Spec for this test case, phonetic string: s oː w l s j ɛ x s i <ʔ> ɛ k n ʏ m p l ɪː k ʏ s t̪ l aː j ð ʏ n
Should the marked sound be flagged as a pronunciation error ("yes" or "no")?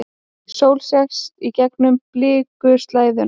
yes